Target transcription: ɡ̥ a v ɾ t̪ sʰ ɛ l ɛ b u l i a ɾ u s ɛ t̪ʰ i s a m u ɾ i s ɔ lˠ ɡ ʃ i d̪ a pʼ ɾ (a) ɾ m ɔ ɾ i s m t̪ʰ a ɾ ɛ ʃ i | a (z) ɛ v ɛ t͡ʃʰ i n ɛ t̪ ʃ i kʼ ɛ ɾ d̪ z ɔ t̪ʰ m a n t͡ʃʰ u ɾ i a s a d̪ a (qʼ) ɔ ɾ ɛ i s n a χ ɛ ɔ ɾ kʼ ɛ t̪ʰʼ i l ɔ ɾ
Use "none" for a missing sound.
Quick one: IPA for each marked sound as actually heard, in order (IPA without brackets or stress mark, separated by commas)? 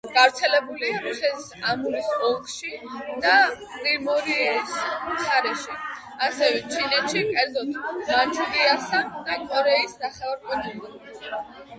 i, s, kʼ